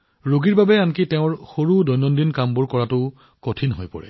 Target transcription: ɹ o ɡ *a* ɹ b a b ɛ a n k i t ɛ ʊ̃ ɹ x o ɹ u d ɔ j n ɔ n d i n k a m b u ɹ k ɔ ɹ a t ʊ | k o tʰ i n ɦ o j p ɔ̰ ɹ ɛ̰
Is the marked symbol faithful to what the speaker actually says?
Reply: no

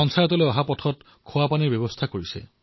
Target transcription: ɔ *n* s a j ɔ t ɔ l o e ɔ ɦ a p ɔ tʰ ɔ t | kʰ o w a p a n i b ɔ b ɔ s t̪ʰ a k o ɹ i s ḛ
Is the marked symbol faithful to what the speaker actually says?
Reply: yes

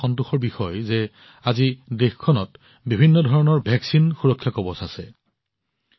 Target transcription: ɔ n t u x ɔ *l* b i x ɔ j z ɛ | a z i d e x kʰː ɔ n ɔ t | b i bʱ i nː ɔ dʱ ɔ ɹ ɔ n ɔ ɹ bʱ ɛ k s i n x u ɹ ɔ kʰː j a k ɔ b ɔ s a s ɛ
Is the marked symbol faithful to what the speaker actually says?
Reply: no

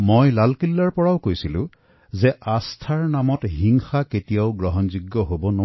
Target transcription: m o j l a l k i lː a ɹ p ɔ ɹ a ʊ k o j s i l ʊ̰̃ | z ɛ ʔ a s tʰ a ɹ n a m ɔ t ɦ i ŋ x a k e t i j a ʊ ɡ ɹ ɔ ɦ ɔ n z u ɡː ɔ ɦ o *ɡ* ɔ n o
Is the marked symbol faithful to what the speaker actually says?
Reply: no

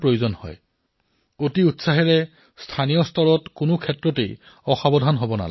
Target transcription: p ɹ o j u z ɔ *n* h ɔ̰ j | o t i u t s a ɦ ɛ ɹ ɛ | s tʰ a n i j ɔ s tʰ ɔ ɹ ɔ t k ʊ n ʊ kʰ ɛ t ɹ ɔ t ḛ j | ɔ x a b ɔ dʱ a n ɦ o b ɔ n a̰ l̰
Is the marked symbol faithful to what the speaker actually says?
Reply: yes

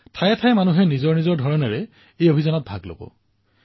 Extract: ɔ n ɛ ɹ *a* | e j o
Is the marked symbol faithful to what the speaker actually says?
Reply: no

